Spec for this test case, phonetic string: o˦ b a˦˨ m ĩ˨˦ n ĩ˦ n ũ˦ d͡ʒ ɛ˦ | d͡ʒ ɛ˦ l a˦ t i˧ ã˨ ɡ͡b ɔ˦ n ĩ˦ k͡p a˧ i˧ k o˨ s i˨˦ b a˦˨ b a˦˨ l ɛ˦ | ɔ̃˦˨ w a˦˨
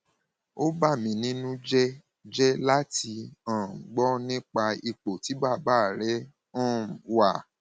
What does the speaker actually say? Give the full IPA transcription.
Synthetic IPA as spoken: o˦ b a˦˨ m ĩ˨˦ n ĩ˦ n ũ˦ d͡ʒ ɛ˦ | d͡ʒ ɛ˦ l a˦ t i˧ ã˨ ɡ͡b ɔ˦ n ĩ˦ k͡p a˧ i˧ k͡p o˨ t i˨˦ b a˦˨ b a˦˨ ɾ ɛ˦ | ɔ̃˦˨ w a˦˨